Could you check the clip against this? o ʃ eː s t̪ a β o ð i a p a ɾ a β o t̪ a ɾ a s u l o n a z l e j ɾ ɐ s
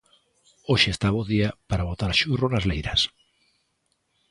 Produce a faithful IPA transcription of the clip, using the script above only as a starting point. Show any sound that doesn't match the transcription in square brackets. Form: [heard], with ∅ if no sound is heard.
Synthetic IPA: o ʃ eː s t̪ a β o ð i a p a ɾ a β o t̪ a ɾ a [ʃ] u [r] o n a z l e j ɾ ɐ s